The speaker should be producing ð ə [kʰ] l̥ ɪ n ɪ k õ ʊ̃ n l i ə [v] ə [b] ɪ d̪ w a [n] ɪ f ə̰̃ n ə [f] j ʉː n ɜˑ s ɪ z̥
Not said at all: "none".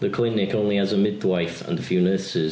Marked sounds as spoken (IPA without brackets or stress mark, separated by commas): kʰ, z, m, none, f